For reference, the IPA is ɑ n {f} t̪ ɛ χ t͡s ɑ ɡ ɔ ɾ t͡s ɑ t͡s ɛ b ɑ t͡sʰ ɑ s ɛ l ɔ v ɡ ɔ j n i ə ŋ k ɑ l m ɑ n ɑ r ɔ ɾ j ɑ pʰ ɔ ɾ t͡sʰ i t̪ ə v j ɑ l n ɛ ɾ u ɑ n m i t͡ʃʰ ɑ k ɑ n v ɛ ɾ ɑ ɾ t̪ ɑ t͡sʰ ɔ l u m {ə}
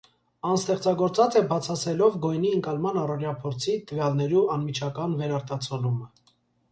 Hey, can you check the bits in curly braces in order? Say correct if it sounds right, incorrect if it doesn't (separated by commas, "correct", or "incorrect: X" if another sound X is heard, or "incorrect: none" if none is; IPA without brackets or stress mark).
incorrect: s, correct